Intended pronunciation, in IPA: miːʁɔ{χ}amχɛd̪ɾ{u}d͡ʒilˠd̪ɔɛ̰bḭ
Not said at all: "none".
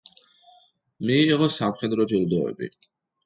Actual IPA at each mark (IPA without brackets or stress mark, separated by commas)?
s, ɔ